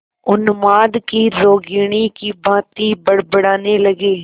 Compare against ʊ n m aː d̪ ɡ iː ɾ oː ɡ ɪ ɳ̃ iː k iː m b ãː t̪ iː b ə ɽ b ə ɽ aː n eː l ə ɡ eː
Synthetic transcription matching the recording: ʊ n m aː d̪ k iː ɾ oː ɡ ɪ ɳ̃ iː k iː b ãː t̪ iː b ə ɽ b ə ɽ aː n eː l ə ɡ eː